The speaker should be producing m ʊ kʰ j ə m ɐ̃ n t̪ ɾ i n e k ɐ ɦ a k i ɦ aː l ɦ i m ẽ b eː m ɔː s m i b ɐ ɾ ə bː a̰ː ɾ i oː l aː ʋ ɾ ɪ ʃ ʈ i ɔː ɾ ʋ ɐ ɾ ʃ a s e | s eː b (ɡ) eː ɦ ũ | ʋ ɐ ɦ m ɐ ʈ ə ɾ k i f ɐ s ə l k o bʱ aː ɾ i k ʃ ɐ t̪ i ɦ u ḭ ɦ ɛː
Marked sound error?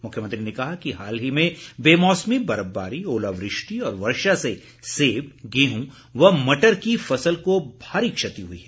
no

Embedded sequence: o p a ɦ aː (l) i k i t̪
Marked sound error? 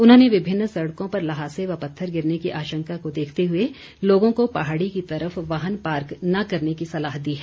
yes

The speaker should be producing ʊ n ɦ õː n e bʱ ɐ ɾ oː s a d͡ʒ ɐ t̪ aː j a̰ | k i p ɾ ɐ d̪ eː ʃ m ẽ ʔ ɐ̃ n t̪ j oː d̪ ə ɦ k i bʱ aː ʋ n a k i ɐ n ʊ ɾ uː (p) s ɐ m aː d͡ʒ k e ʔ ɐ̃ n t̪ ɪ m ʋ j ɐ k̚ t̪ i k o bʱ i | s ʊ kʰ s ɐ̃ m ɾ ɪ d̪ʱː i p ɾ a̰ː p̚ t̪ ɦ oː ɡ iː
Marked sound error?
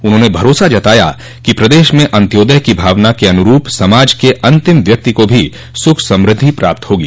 no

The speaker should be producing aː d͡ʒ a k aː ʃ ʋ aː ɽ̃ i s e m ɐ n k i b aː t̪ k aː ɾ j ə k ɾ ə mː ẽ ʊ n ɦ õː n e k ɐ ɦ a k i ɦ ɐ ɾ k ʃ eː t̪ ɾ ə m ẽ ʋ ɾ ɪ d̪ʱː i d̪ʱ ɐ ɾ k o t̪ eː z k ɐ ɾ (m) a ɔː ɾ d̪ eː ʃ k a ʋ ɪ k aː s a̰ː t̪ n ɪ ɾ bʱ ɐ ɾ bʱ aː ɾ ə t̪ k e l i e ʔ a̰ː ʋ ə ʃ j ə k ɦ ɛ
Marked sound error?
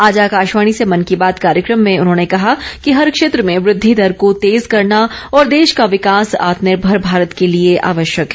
yes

